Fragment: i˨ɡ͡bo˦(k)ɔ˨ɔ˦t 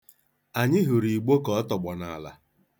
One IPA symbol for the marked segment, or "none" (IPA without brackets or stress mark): k